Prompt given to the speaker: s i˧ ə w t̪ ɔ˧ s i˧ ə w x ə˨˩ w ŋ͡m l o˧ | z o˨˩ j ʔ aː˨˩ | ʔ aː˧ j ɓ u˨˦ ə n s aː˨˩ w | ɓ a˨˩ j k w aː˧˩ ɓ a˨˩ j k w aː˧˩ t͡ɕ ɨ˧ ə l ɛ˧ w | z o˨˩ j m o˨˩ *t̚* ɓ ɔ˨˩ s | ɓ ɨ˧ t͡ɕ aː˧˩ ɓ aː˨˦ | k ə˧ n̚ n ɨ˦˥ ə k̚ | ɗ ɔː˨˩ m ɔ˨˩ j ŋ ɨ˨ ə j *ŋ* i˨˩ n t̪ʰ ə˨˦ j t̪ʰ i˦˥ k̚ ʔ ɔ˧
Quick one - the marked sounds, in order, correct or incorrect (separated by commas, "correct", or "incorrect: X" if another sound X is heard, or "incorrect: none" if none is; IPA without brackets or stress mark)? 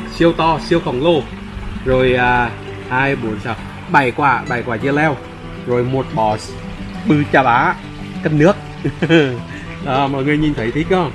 correct, incorrect: ɲ